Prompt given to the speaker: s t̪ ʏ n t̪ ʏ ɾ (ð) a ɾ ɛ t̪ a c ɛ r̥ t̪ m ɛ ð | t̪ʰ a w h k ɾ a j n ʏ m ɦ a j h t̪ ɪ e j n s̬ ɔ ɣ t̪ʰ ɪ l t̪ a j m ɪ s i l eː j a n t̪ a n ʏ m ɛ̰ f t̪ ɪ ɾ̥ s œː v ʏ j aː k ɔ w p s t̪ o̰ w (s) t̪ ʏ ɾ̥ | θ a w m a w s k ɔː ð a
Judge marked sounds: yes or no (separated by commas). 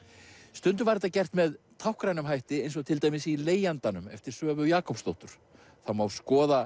no, no